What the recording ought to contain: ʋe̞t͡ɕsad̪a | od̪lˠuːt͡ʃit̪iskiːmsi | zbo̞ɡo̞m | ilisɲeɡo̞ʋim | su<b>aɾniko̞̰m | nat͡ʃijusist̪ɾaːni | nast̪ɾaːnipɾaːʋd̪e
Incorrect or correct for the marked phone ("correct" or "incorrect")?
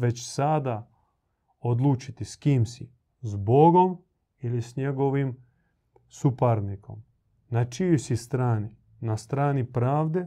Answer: incorrect